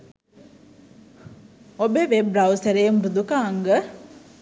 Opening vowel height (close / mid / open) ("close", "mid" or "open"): mid